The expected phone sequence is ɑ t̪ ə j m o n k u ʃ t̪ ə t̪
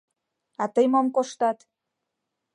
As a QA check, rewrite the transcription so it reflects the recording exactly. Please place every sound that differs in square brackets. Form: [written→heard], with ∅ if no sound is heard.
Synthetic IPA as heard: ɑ t̪ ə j m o [n→m] k [u→o] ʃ t̪ [ə→ɑ] t̪